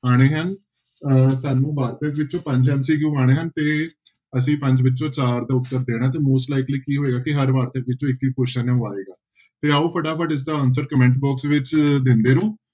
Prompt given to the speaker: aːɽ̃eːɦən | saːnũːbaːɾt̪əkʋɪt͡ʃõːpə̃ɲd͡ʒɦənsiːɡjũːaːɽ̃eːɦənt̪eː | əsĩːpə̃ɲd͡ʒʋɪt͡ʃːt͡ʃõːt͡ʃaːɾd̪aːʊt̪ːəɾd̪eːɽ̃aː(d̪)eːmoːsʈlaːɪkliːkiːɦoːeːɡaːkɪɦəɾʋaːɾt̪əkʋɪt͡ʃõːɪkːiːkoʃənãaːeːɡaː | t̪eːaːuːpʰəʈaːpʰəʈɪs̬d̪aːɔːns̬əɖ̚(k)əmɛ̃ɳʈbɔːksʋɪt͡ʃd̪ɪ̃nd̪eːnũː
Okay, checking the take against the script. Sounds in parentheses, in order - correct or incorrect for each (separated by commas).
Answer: incorrect, correct